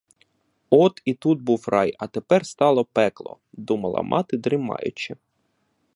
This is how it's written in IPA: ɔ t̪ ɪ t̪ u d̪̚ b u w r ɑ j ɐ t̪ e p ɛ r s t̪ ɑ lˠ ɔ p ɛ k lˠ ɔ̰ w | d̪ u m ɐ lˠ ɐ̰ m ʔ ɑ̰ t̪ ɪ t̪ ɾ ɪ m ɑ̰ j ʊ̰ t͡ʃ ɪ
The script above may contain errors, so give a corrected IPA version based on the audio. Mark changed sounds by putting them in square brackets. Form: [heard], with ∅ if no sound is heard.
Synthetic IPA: ɔ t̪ [i] t̪ u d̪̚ b u w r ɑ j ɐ t̪ e p ɛ r s t̪ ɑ lˠ ɔ p ɛ k lˠ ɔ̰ [∅] | d̪ u m ɐ lˠ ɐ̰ m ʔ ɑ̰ t̪ ɪ [d̪] ɾ ɪ m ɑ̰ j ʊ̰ t͡ʃ ɪ